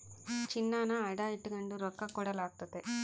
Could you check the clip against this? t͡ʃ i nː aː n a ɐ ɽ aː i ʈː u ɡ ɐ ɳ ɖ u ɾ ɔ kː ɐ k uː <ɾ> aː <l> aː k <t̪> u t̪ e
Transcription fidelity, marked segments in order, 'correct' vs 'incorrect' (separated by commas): incorrect, correct, correct